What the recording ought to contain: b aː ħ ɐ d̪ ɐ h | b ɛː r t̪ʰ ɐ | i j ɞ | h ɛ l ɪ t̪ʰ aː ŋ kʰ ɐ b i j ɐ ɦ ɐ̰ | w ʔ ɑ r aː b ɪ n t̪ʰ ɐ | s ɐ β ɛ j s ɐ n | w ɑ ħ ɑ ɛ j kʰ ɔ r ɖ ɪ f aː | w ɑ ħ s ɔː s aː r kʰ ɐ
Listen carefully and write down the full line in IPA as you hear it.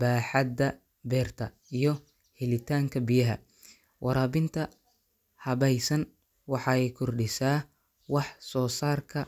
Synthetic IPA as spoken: b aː ħ ɑ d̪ ɐ | b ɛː r t̪ʰ ɐ | i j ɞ | h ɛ l ɪ t̪ʰ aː ŋ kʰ ɐ b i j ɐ ɦ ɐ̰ | w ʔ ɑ ɾ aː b ɪ n t̪ʰ ɐ | h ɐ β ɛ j s ɐ n | w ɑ ħ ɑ ɛ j kʰ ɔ r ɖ ɪ s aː | w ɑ ħ s ɔː s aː r kʰ ɐ